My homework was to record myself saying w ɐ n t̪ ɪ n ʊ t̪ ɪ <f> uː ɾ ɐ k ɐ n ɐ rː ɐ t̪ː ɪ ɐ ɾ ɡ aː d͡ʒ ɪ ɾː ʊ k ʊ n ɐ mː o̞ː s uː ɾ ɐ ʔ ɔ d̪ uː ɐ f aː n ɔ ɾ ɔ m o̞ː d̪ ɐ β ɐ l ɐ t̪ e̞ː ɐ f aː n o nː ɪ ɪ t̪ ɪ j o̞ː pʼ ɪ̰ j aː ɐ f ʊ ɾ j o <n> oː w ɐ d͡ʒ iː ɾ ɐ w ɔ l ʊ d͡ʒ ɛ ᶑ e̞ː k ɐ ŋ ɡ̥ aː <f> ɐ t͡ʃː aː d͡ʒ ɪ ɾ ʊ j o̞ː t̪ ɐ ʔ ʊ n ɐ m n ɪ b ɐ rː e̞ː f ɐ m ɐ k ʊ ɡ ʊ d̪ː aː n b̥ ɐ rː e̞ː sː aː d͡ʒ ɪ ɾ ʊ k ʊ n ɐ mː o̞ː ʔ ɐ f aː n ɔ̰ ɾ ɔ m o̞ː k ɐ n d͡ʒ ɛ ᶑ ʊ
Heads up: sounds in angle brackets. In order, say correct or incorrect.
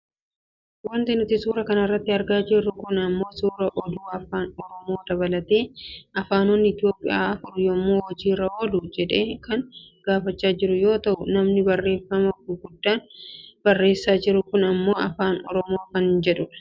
incorrect: s, incorrect: m, correct

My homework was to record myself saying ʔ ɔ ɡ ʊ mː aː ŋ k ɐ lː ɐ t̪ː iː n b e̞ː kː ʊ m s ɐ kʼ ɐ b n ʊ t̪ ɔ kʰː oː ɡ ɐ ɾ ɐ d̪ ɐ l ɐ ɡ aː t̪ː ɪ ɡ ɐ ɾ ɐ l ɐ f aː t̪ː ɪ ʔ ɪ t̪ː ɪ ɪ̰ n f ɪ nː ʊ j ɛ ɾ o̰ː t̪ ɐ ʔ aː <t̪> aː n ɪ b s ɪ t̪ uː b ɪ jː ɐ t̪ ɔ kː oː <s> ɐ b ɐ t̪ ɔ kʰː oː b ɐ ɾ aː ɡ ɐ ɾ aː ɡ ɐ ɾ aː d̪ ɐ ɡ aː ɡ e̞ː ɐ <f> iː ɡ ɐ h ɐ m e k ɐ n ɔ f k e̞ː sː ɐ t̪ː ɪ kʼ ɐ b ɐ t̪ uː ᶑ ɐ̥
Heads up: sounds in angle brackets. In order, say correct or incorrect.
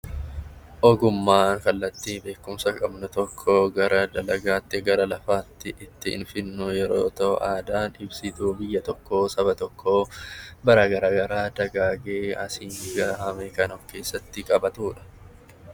incorrect: d̪, correct, incorrect: s

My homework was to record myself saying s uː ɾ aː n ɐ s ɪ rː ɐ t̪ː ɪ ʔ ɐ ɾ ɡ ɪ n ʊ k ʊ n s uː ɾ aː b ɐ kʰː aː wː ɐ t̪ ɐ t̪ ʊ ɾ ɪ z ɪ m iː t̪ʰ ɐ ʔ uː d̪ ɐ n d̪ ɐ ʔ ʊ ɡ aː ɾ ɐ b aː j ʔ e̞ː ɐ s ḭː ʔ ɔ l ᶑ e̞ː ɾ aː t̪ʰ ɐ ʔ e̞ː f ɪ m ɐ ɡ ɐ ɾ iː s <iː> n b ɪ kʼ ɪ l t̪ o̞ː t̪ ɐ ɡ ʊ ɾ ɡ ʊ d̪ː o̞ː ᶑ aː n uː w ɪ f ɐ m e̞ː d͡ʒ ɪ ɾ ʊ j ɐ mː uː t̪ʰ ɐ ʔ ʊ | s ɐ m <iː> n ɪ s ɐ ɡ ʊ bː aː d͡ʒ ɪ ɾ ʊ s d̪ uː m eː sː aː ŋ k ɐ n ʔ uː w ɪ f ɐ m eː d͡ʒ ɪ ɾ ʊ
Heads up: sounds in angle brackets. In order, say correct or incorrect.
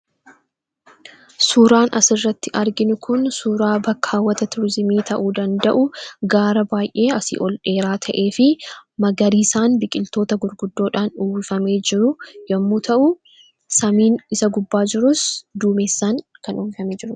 incorrect: aː, correct

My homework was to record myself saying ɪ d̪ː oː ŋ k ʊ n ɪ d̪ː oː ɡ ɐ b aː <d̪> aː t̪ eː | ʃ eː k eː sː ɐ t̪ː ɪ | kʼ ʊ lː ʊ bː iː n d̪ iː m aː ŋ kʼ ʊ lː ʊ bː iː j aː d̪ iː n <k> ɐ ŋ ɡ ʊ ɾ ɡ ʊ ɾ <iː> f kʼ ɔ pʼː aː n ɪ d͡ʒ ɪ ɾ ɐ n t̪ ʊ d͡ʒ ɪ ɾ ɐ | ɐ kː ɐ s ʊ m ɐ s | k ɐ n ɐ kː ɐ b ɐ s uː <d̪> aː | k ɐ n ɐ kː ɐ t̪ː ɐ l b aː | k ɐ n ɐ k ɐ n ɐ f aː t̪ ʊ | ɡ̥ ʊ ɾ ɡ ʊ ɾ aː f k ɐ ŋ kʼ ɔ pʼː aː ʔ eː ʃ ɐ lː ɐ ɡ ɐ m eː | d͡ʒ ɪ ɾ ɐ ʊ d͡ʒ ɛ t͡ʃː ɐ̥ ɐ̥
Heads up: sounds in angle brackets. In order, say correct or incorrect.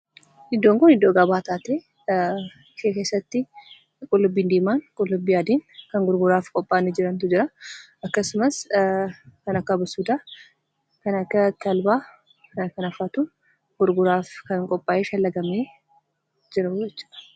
incorrect: t̪, correct, incorrect: aː, correct

